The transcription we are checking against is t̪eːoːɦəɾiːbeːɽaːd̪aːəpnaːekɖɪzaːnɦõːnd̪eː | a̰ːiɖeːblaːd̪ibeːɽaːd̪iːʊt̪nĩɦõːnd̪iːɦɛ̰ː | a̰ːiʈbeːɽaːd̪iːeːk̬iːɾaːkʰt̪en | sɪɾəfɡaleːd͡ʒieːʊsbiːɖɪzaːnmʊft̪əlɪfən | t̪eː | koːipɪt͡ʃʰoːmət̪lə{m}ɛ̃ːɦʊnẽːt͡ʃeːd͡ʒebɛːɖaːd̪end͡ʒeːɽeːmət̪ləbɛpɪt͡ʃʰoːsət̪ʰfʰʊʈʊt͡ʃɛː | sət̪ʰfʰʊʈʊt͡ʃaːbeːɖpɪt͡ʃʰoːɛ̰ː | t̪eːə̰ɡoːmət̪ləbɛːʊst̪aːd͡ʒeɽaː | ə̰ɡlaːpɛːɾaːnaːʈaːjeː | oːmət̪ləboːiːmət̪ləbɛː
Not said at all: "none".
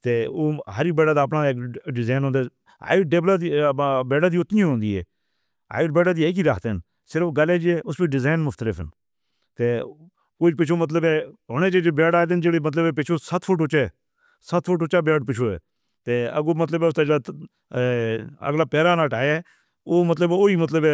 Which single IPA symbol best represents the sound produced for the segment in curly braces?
b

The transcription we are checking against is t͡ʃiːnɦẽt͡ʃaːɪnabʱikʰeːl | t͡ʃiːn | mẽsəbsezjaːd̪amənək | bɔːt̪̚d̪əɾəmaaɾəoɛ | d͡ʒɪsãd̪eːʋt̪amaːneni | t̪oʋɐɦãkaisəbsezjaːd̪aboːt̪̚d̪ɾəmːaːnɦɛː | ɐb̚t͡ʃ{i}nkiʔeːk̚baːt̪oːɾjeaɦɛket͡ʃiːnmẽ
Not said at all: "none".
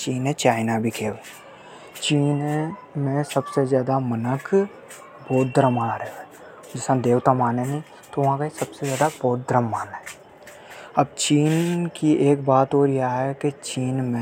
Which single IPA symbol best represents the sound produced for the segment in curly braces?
iː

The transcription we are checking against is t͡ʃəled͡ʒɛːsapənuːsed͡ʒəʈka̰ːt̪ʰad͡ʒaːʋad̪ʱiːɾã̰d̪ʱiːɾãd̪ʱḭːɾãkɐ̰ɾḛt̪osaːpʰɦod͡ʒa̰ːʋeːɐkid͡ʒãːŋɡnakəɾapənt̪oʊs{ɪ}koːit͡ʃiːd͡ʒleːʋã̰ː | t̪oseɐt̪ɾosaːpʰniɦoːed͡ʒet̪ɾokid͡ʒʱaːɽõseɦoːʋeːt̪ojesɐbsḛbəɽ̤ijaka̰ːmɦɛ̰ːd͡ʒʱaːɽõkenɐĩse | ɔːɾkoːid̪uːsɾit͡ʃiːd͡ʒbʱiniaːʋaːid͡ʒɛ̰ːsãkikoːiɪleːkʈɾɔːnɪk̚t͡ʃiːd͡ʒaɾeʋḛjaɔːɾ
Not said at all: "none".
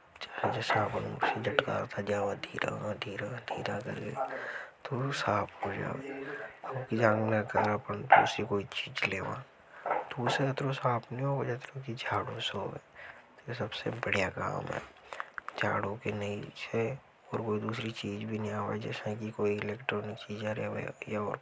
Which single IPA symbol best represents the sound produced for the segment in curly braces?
i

